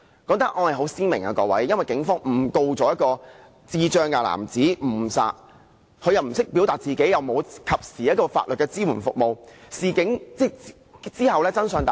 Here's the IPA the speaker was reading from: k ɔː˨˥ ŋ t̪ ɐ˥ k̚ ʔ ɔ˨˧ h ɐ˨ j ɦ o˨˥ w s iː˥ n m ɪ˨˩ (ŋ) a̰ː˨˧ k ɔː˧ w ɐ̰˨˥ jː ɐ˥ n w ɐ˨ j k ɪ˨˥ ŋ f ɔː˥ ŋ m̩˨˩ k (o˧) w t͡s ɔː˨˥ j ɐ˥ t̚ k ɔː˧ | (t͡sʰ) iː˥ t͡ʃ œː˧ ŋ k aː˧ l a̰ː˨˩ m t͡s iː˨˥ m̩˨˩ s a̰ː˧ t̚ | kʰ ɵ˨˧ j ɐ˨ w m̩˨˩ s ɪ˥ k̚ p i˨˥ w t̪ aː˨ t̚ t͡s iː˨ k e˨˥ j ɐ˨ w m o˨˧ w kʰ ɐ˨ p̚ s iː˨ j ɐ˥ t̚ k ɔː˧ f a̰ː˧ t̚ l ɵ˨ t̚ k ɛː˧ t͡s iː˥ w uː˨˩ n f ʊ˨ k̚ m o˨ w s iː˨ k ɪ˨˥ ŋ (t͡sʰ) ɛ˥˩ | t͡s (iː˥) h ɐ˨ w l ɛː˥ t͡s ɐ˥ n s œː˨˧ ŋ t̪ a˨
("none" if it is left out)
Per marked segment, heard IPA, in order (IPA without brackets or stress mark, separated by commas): ŋ, o˧, t͡s, t͡s, iː˥